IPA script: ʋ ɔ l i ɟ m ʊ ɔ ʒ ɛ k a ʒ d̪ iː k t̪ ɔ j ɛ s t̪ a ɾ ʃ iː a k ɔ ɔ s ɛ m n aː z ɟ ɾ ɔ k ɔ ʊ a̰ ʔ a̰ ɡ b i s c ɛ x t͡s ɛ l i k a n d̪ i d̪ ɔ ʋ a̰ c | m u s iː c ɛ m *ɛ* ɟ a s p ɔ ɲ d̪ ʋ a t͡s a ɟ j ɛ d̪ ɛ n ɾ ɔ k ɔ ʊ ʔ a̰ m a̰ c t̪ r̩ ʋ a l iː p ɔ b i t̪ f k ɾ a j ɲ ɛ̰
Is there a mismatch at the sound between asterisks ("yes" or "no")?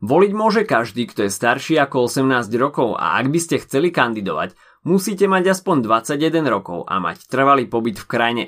yes